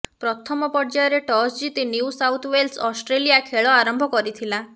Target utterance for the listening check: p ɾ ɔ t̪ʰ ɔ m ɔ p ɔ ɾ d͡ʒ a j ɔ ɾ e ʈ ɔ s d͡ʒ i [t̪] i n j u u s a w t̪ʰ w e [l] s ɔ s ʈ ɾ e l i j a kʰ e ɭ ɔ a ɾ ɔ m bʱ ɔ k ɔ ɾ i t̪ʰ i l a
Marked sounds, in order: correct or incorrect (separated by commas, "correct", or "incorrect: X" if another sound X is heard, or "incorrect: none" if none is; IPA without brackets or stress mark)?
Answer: correct, correct